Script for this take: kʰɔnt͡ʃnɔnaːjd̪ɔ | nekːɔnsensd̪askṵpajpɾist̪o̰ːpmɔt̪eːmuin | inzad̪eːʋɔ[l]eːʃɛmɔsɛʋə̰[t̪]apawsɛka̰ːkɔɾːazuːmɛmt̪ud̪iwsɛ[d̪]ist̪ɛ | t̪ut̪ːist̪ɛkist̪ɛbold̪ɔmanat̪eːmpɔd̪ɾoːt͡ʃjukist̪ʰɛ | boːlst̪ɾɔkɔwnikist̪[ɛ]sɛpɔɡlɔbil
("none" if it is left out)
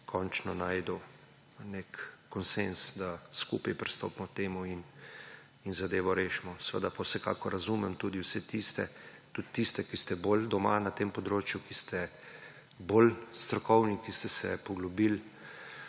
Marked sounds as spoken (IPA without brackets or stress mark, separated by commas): ɾ, d̪, t̪, ɛ